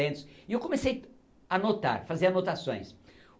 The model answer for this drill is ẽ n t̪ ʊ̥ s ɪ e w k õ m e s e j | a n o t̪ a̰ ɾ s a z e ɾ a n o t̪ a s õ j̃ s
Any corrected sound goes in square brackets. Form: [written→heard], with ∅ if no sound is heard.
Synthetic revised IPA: ẽ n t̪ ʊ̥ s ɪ e w k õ m e s e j | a n o t̪ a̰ ɾ [s→f] a z e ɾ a n o t̪ a s õ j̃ s